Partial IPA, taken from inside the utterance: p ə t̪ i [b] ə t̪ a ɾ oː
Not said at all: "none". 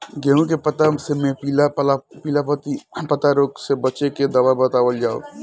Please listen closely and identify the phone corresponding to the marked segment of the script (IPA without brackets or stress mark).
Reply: p